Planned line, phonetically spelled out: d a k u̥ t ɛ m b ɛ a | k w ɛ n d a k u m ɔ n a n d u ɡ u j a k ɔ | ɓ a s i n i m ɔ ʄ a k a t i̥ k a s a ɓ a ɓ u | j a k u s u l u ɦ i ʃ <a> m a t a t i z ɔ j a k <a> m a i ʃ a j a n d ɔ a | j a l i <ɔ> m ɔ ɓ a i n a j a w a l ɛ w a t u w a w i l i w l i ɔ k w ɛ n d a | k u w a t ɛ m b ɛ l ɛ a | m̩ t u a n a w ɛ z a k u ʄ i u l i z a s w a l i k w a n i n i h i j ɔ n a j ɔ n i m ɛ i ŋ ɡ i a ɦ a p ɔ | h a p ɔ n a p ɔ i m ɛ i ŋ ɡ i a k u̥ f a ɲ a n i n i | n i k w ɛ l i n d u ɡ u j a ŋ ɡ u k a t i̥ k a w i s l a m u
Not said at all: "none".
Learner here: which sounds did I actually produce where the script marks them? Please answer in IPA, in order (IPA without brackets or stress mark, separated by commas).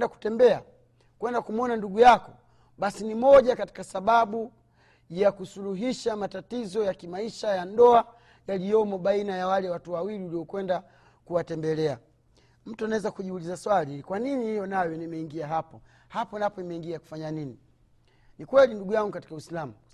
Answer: a, i, ɔ